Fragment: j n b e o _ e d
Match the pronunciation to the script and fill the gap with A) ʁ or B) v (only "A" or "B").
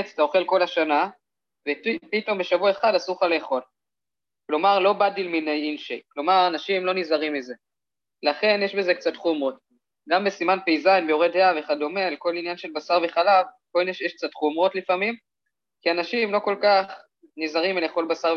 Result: A